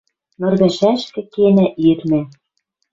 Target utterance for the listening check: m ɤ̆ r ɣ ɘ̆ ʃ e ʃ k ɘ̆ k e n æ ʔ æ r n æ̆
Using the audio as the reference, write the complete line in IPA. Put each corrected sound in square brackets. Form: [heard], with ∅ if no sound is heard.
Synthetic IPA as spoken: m ɤ̆ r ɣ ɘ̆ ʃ [æ] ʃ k ɘ̆ k e n æ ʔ [i] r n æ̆